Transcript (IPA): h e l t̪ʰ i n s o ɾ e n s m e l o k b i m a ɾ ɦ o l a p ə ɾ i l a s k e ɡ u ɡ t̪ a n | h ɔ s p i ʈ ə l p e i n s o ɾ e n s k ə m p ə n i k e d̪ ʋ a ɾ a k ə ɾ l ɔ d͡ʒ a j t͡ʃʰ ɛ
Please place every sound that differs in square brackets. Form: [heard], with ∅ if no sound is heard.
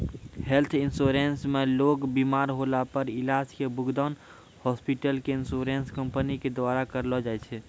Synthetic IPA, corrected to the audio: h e l t̪ʰ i n s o ɾ e n s m e l o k b i m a ɾ ɦ o l a p ə ɾ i l a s k e [b] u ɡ [d̪] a n | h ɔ s p i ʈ ə l [k] e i n s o ɾ e n s k ə m p ə n i k e d̪ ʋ a ɾ a k ə ɾ l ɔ d͡ʒ a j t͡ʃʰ ɛ